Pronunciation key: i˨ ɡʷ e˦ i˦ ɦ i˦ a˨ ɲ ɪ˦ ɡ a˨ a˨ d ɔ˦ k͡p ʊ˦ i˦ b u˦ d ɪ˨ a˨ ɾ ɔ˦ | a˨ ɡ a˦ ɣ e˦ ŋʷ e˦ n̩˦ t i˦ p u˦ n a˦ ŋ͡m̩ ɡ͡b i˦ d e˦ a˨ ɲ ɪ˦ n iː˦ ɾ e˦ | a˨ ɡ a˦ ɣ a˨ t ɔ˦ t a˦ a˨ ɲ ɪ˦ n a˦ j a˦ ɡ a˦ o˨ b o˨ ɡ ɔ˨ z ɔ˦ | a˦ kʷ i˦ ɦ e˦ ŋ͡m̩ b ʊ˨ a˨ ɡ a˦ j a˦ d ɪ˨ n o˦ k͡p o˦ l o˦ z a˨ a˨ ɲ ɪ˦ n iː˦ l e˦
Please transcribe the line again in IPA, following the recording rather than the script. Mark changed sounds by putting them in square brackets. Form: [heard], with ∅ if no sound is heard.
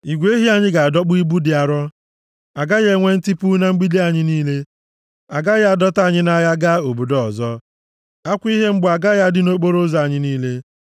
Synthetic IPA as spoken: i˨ ɡʷ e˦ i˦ ɦ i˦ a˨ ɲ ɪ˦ ɡ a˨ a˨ d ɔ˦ k͡p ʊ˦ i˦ b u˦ d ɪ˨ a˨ ɾ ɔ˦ | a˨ ɡ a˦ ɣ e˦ ŋʷ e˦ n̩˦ t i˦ p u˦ n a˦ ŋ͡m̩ ɡ͡b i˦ d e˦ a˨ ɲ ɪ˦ n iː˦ [l] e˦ | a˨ ɡ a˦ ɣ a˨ [d] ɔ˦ t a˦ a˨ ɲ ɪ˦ n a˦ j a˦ ɡ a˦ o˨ b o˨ [d] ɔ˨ z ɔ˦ | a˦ kʷ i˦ ɦ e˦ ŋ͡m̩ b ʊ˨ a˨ ɡ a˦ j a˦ d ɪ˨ n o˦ k͡p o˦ [ɾ] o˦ z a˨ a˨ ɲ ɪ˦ n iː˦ l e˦